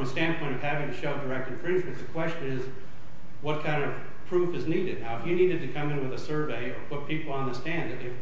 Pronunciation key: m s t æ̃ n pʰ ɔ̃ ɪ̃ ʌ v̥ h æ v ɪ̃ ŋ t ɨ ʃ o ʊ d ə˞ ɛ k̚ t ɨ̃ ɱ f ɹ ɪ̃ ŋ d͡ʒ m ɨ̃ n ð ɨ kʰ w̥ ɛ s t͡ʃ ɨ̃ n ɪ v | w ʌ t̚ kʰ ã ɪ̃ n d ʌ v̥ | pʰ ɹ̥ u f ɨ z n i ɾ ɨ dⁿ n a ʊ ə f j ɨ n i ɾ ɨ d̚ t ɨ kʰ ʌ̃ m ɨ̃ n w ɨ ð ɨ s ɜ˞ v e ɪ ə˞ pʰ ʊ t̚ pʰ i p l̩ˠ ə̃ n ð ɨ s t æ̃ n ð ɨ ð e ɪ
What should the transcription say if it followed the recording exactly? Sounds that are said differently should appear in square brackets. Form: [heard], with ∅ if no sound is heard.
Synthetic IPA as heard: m s t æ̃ n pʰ ɔ̃ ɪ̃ ʌ v̥ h æ v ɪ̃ ŋ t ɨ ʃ o ʊ d ə˞ ɛ k̚ t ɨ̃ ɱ f ɹ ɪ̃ [n] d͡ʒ m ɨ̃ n ð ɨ kʰ w̥ ɛ s t͡ʃ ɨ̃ n ɪ [z] | w ʌ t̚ kʰ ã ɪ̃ n d ʌ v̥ | pʰ ɹ̥ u f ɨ z n i ɾ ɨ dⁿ n a ʊ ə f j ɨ n i ɾ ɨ d̚ t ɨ kʰ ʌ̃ m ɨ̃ n w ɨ ð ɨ s ɜ˞ v e ɪ ə˞ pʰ ʊ t̚ pʰ i p l̩ˠ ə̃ n ð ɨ s t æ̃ n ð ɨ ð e ɪ